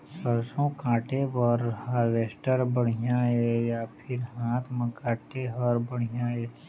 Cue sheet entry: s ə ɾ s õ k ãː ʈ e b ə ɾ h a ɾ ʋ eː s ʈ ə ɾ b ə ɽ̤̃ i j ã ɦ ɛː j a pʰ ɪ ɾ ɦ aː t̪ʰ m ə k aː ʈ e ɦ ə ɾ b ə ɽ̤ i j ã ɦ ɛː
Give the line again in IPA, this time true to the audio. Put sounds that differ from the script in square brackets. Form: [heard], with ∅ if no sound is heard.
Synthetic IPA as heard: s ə ɾ s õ k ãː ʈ e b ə ɾ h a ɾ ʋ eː s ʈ ə ɾ b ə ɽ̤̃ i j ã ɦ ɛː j a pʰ ɪ ɾ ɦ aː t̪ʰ m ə k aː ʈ e ɦ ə ɾ b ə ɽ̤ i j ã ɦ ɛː